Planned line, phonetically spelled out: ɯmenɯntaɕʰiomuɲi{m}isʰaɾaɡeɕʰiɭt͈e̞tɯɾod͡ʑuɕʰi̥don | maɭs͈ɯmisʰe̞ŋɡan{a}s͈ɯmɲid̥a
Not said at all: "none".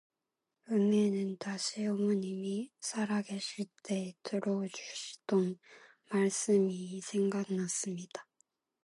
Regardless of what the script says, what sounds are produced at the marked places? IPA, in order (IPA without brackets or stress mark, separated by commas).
m, a